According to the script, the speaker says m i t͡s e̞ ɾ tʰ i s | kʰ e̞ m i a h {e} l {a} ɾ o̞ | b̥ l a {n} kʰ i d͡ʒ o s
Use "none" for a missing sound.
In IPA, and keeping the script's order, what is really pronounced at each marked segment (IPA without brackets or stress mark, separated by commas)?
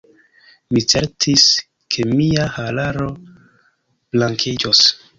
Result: a, a, ŋ